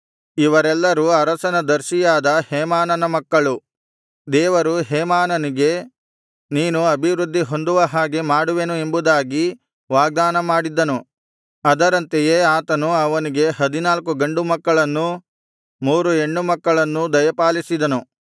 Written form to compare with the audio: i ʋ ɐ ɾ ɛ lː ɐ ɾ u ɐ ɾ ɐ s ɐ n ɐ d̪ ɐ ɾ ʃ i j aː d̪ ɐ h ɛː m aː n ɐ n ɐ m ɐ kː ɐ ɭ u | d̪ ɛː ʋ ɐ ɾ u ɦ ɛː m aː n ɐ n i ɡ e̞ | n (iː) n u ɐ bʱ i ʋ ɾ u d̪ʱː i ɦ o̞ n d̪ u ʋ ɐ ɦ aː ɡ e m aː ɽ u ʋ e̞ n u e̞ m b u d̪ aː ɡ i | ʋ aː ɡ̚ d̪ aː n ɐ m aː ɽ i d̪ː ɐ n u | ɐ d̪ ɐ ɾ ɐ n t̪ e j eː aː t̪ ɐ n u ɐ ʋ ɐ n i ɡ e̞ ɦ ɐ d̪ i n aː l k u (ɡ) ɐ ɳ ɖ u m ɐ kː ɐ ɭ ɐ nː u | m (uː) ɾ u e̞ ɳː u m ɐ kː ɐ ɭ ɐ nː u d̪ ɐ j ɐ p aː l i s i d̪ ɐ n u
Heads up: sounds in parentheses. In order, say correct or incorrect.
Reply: correct, correct, correct

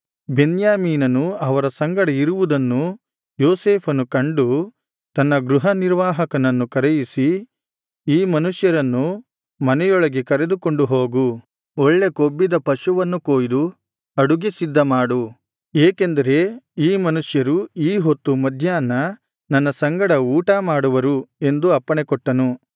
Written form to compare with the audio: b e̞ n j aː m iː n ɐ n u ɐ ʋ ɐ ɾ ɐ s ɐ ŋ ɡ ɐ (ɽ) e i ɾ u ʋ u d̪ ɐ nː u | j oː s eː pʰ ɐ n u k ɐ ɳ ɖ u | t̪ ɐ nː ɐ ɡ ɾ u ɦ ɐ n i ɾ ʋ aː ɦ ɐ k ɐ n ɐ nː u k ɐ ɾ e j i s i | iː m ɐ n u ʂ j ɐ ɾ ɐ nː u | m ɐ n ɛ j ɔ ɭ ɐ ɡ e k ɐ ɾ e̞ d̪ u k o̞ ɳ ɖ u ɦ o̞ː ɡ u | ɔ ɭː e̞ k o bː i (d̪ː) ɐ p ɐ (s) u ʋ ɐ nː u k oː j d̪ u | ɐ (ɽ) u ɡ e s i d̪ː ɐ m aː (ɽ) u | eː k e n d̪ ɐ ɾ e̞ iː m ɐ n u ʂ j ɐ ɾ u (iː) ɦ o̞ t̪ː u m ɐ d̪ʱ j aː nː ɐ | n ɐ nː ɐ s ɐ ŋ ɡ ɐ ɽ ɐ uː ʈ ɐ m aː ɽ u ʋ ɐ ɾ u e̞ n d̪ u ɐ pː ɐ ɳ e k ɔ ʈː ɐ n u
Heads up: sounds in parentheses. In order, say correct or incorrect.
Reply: correct, incorrect, incorrect, correct, correct, correct

